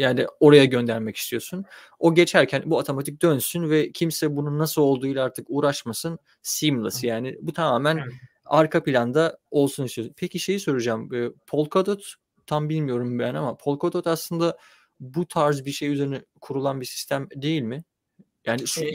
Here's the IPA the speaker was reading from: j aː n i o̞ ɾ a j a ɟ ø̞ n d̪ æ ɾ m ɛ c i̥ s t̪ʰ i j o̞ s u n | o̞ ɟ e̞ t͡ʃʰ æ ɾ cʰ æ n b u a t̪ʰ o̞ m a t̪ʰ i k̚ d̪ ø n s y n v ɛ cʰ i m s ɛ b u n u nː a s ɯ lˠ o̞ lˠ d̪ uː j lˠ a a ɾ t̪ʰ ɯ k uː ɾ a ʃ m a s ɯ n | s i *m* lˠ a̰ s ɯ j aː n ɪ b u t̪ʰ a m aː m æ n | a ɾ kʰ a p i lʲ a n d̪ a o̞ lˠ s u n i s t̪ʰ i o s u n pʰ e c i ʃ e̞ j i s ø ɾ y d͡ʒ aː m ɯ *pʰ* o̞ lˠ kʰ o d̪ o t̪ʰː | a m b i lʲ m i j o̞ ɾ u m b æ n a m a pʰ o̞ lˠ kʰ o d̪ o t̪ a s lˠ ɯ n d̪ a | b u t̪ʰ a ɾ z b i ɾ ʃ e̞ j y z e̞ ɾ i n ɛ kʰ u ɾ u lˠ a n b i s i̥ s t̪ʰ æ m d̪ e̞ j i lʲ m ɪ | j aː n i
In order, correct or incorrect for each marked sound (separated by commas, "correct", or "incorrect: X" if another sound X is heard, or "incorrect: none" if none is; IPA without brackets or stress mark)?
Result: correct, correct